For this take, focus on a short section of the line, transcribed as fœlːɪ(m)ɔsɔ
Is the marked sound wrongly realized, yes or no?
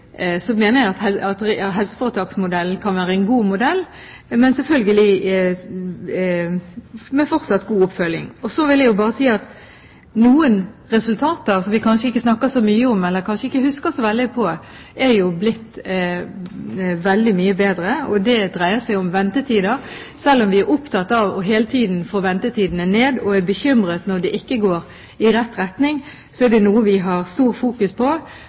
yes